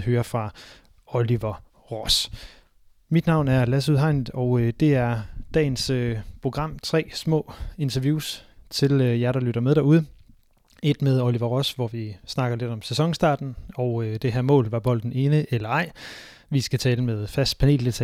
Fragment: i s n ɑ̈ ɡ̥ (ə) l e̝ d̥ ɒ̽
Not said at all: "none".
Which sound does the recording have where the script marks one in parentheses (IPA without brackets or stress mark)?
ɐ